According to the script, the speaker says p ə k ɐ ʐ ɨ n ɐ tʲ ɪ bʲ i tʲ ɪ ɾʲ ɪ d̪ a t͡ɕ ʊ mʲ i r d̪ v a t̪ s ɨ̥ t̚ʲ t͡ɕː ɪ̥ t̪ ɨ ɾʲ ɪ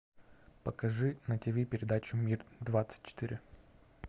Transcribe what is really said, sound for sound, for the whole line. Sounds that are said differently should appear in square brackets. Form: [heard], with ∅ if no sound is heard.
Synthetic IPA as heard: p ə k ɐ ʐ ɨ n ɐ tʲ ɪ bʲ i [pʲ] ɪ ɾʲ ɪ d̪ a t͡ɕ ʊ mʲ i r d̪ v a t̪ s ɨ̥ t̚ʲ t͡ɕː ɪ̥ t̪ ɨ ɾʲ ɪ